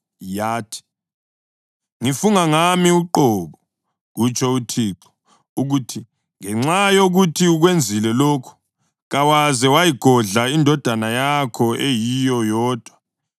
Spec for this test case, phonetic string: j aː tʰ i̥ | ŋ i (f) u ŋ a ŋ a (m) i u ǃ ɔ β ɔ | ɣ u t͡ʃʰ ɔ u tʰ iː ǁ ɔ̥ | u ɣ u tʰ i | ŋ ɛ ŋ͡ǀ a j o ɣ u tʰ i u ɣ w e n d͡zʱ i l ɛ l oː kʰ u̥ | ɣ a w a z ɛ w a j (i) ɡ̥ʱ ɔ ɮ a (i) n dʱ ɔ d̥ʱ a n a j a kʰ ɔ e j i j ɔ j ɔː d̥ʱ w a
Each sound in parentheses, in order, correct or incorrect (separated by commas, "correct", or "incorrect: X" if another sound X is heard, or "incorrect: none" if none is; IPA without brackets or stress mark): correct, correct, correct, correct